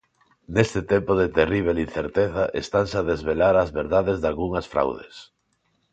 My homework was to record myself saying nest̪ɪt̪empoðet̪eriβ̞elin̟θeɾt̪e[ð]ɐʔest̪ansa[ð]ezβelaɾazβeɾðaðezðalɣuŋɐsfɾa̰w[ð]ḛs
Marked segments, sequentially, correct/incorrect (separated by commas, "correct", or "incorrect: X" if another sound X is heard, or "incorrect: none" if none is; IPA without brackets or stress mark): incorrect: θ, correct, correct